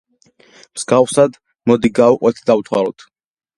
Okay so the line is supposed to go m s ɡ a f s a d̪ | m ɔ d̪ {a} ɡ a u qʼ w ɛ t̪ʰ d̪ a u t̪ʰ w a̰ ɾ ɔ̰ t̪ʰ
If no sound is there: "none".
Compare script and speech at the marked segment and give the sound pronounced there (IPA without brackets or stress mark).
i